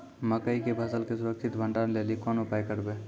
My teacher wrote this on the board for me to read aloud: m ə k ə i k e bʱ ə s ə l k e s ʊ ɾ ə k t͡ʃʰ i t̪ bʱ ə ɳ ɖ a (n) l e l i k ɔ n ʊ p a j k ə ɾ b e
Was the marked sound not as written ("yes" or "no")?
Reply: no